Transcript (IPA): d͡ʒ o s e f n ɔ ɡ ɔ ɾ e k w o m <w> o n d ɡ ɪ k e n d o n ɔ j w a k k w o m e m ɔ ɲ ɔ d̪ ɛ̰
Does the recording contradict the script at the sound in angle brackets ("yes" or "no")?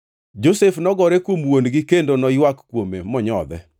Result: no